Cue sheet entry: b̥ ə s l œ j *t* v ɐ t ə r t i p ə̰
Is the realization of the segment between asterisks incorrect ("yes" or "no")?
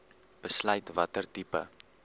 no